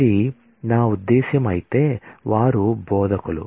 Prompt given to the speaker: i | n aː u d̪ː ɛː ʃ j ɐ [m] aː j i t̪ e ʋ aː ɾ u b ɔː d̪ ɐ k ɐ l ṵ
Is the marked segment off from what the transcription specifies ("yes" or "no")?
no